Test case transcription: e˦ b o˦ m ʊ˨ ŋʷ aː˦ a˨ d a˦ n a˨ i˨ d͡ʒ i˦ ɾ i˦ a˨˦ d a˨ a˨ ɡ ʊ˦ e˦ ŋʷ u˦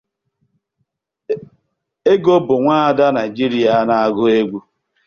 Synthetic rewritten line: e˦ ɡ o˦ b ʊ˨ ŋʷ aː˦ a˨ d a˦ n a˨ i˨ d͡ʒ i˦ ɾ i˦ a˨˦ n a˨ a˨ ɡ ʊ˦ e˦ ɡʷ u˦